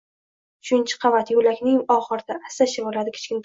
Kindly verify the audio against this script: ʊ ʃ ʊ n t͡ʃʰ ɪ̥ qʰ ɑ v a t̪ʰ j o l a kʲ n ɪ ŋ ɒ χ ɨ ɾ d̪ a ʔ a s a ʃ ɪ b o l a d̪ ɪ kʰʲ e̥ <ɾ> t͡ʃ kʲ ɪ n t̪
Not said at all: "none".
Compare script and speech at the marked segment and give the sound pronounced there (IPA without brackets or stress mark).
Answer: none